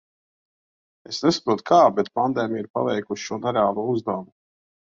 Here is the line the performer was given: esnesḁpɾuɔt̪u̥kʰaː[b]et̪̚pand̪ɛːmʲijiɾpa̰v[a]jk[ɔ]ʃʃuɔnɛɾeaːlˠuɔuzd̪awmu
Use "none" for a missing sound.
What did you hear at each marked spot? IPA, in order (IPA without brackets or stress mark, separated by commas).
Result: b, ɛ, u